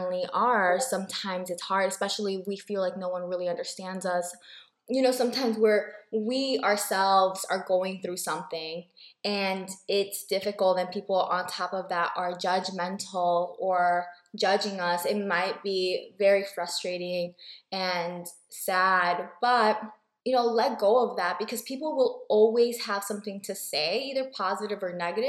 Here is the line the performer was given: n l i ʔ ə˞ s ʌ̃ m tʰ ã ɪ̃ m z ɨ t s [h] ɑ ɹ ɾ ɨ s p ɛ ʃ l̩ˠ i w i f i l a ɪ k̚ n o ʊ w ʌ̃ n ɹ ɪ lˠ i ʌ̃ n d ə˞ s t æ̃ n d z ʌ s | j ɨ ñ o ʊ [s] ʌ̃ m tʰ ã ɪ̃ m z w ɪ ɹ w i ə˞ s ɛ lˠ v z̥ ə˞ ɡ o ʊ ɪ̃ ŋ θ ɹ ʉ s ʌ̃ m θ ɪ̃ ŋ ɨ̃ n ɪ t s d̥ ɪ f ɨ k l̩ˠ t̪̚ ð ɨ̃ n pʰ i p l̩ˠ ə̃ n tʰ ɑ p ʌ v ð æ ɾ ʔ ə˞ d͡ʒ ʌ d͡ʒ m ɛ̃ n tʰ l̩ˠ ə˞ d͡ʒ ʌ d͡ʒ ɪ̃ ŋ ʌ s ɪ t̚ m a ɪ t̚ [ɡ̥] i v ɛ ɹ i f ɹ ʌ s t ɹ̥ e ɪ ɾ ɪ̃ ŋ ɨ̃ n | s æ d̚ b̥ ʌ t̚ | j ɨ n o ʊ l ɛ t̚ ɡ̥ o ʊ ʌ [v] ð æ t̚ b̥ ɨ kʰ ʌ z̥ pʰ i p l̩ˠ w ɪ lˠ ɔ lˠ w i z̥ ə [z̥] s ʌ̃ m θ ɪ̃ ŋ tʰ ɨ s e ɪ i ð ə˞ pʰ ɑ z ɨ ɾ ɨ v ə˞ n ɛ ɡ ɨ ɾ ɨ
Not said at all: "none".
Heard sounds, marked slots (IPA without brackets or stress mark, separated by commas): h, s, b̥, v, v̥